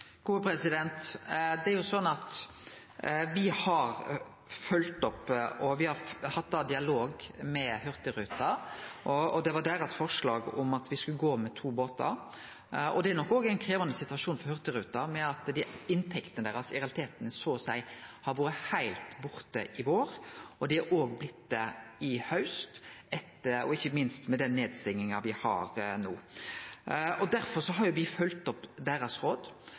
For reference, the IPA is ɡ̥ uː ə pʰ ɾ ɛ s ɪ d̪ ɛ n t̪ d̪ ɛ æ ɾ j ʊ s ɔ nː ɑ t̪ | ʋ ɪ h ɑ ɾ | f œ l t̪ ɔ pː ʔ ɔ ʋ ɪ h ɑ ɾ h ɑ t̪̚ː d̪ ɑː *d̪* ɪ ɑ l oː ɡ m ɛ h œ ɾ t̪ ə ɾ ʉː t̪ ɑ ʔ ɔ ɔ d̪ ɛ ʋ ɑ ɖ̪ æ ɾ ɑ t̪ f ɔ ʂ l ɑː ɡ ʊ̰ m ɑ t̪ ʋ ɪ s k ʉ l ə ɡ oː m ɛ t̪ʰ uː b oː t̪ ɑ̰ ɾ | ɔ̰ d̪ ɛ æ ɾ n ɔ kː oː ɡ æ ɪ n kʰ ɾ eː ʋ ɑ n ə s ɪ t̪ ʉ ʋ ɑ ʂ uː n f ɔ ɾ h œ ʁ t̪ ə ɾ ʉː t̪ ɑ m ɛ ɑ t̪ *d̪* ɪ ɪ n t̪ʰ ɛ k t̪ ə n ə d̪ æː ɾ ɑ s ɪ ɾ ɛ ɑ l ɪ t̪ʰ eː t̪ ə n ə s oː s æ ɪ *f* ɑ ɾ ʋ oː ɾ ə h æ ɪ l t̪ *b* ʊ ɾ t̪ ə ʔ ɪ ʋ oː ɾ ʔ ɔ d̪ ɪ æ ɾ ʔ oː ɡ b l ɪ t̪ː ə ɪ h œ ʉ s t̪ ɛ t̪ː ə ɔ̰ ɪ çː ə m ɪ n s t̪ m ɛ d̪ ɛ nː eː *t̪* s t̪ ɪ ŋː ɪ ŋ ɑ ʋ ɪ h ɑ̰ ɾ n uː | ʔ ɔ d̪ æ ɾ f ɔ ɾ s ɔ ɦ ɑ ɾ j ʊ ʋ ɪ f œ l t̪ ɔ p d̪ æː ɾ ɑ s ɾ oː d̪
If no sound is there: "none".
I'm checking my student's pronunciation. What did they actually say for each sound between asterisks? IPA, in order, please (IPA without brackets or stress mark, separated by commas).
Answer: d̪, d̪, h, b, d̪